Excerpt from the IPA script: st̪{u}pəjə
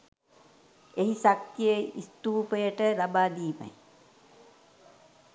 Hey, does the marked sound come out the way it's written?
no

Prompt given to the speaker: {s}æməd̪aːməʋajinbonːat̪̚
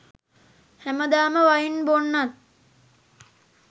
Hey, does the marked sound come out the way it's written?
no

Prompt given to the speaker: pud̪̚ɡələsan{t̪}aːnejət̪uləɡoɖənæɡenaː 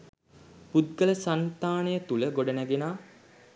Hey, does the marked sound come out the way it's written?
yes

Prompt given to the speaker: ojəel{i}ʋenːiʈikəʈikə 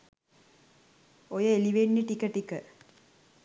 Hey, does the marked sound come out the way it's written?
yes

